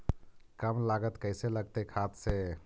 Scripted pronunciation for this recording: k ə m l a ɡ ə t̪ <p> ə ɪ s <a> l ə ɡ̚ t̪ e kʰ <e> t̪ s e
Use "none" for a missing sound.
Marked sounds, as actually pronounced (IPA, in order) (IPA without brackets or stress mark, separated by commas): k, e, a